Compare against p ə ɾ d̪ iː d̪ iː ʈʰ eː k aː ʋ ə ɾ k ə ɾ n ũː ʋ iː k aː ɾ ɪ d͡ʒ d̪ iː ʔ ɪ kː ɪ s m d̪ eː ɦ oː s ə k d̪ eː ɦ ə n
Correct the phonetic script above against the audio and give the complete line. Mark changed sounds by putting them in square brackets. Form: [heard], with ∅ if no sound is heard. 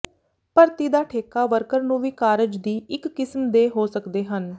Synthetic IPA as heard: p ə ɾ [t̪] iː d̪ [aː] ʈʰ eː k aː ʋ ə ɾ k ə ɾ n ũː ʋ iː k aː ɾ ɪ d͡ʒ d̪ iː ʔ ɪ kː ɪ s m d̪ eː ɦ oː s ə k d̪ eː ɦ ə n